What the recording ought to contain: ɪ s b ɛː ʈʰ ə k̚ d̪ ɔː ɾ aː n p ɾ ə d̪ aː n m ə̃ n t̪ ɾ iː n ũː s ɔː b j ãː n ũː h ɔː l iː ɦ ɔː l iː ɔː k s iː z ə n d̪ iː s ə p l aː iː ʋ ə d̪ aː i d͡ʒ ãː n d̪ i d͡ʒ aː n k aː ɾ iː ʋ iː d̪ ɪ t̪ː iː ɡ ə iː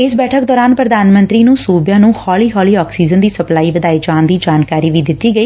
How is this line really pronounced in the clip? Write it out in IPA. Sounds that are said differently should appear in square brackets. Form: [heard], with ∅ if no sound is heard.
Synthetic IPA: ɪ s b ɛː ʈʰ ə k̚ d̪ ɔː ɾ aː n p ɾ ə d̪ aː n m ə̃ n t̪ ɾ iː n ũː s [uː] b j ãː n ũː h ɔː l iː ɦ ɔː l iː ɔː k s iː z ə n d̪ iː s ə p l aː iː ʋ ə d̪ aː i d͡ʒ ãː n d̪ [iː] d͡ʒ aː n k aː ɾ iː ʋ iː d̪ ɪ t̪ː iː ɡ ə iː